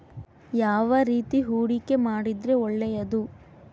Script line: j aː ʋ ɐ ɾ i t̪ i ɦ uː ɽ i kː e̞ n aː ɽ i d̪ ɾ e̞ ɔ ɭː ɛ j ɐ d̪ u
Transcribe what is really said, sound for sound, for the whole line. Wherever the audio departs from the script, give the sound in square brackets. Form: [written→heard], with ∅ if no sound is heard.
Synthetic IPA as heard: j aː ʋ ɐ ɾ [i→iː] t̪ i ɦ uː ɽ i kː e̞ [n→m] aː ɽ i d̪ ɾ e̞ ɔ ɭː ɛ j ɐ d̪ u